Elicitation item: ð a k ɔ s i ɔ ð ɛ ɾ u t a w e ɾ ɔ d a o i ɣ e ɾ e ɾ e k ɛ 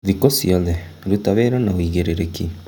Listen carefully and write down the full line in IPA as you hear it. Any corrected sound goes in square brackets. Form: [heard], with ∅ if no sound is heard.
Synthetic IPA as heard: ð [i] k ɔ s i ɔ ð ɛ ɾ u t a [β] e ɾ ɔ [n] a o i ɣ e ɾ e ɾ e k [i]